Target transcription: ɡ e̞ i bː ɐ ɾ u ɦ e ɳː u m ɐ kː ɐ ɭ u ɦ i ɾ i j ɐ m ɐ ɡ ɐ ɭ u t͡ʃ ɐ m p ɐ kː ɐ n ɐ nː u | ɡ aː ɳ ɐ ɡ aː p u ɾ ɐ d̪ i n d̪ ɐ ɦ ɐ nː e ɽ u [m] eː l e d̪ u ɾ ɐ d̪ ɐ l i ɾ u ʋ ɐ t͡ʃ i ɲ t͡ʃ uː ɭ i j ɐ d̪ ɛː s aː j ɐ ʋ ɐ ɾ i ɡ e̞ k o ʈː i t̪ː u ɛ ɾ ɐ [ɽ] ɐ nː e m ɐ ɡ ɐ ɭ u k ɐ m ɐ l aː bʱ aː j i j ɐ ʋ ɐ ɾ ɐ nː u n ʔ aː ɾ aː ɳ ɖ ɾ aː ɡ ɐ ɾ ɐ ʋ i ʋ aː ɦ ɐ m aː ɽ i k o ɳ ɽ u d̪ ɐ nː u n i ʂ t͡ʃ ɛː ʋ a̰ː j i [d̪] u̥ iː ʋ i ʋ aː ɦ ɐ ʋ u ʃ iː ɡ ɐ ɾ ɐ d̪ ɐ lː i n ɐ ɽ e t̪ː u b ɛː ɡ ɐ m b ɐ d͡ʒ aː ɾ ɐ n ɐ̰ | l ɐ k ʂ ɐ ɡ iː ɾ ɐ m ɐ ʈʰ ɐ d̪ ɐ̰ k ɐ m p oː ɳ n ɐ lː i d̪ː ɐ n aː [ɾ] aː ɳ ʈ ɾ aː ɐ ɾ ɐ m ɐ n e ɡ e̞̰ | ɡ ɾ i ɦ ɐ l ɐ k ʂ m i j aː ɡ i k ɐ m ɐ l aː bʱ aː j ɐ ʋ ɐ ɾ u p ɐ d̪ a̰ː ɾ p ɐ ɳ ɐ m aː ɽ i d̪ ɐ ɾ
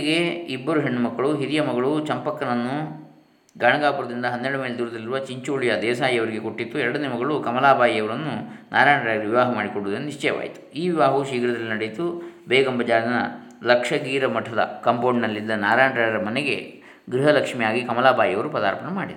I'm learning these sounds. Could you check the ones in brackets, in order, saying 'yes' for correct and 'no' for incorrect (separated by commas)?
yes, yes, no, yes